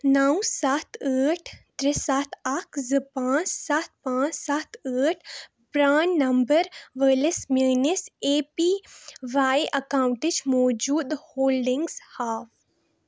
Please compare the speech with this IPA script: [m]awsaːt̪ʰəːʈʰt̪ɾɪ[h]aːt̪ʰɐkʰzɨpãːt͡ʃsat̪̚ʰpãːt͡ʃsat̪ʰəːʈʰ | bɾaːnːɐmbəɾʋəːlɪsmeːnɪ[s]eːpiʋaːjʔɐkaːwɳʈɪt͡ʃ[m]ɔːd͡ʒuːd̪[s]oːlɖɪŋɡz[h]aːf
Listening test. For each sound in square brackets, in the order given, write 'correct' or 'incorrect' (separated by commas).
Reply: incorrect, incorrect, correct, correct, incorrect, correct